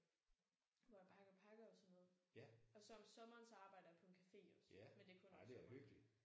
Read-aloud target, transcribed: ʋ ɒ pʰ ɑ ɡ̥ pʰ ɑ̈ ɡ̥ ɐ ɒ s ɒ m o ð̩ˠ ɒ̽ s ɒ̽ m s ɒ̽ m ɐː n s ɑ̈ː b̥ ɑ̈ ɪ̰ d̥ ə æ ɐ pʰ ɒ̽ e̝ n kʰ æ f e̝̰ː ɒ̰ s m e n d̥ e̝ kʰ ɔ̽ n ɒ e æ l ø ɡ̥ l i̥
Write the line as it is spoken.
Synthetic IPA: ʋ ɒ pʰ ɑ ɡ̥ pʰ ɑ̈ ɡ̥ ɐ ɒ s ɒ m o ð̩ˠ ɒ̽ s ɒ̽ m s ɒ̽ m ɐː n s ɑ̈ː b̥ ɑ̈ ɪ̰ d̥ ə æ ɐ pʰ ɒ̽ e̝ n kʰ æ f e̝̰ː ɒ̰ s m e n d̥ e̝ kʰ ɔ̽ n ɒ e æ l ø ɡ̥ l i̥